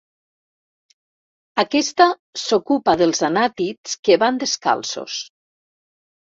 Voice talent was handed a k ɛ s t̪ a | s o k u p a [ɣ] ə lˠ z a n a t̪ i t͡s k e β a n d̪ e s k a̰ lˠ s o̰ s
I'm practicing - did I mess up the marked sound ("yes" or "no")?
yes